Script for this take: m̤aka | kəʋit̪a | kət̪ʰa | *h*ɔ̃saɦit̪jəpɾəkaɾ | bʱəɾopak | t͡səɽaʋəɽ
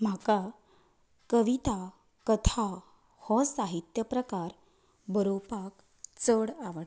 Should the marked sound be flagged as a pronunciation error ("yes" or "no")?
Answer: no